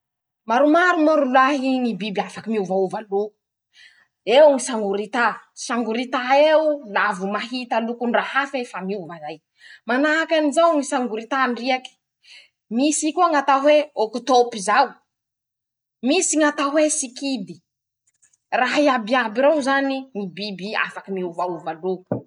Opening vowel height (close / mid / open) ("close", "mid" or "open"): open